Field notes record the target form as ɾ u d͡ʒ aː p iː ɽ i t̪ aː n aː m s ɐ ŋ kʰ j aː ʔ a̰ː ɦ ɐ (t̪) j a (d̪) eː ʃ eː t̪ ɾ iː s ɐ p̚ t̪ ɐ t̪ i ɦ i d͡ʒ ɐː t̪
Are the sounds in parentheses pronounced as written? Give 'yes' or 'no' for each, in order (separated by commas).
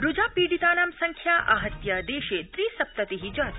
yes, yes